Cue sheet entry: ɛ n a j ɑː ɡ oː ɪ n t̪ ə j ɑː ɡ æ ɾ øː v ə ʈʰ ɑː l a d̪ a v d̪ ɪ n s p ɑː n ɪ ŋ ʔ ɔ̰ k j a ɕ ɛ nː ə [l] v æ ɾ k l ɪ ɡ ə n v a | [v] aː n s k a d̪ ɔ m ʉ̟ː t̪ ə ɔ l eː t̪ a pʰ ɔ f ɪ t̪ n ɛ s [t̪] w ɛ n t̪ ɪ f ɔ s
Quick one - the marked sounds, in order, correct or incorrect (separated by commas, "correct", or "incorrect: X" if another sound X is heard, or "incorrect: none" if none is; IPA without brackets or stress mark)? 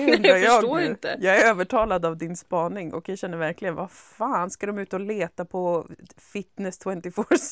incorrect: ɾ, incorrect: f, incorrect: t̪ʰ